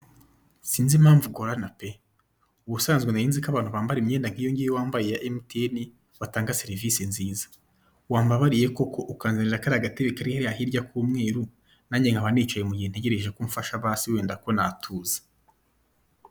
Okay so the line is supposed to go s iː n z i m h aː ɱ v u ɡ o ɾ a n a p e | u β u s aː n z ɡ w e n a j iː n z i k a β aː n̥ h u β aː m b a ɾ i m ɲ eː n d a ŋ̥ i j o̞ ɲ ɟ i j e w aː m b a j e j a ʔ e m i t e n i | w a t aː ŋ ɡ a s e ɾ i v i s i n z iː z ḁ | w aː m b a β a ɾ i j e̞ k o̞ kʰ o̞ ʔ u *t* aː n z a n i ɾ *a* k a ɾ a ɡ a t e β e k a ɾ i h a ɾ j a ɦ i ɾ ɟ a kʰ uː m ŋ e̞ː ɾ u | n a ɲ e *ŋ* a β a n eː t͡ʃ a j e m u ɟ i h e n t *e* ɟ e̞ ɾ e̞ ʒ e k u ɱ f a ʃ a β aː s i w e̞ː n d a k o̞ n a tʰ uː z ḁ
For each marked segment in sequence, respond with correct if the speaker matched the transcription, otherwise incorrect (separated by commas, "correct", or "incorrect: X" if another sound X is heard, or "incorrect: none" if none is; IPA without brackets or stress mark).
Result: incorrect: k, correct, correct, correct